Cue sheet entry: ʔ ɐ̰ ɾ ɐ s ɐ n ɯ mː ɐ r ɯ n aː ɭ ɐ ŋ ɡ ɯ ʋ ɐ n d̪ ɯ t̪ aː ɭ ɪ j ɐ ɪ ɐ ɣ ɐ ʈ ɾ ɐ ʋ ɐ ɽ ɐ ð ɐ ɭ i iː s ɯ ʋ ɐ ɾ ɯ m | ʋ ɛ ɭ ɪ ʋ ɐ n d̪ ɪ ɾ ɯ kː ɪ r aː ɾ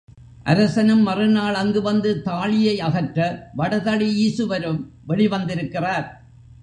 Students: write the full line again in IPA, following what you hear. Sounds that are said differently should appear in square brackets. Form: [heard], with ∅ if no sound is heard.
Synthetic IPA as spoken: ʔ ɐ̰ ɾ ɐ s ɐ n ɯ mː ɐ r ɯ n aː ɭ ɐ ŋ ɡ ɯ ʋ ɐ n d̪ ɯ t̪ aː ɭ ɪ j ɐ ɪ ɐ ɣ ɐ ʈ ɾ ɐ ʋ ɐ ɽ ɐ ð ɐ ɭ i iː s ɯ ʋ ɐ ɾ ɯ m | ʋ ɛ ɭ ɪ ʋ ɐ n d̪ ɪ ɾ ɯ kː ɪ r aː ɾ